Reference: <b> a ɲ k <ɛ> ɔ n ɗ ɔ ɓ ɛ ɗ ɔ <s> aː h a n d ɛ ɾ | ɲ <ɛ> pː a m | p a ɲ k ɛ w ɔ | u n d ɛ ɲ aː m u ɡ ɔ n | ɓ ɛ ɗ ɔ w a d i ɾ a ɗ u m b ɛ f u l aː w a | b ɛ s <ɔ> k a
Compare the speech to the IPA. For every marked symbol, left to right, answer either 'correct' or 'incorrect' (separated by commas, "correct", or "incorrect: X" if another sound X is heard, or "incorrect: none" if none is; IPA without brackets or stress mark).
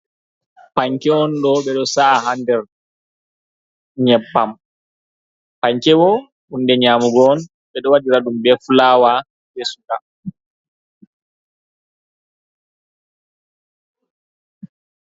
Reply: incorrect: p, correct, correct, correct, incorrect: u